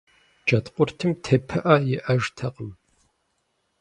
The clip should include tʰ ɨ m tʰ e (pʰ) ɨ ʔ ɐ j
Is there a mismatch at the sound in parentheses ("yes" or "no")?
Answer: no